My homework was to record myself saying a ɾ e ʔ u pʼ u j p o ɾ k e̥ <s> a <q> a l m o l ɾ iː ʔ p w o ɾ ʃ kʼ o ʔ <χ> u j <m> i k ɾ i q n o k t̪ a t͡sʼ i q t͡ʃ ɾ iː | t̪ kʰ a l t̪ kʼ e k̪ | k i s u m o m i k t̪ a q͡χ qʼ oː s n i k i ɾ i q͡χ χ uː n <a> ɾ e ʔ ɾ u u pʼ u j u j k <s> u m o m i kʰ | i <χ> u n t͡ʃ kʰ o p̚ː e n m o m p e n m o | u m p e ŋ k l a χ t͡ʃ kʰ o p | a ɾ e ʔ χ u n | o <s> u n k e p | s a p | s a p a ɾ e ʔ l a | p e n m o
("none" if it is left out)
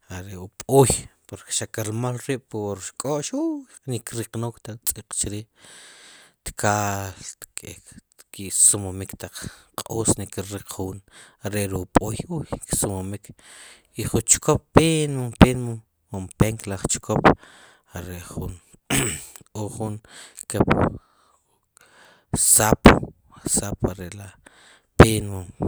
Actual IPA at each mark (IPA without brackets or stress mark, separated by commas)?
ʃ, k, ʃ, n, a, s, χ, χ